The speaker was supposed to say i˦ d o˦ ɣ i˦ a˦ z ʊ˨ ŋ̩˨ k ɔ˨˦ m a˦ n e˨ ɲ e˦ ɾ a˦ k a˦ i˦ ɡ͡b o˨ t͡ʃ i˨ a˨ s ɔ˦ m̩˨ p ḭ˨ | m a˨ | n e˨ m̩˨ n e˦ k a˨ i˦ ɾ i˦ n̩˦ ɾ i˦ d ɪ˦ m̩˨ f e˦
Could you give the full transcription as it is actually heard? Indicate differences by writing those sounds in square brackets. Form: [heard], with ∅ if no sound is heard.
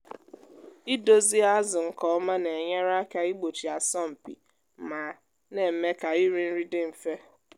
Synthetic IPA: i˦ d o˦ [z] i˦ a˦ z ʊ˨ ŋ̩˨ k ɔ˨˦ m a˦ n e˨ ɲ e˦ ɾ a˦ k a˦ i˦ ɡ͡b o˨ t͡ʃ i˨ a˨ s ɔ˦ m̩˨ p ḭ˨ | m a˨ | n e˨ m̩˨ [m] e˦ k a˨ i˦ ɾ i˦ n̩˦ ɾ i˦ d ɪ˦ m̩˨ f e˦